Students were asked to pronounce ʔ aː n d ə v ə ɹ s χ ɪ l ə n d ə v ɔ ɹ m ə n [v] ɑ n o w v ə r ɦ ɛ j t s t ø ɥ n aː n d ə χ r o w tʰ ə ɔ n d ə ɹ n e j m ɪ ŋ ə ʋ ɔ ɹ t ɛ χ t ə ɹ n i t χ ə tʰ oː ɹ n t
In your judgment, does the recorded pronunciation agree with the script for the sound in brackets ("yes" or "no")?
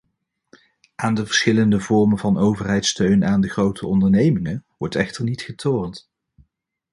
yes